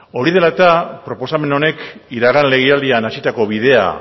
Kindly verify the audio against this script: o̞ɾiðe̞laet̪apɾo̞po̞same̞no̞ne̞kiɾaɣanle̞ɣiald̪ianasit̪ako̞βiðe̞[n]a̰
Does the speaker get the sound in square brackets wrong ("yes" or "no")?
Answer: yes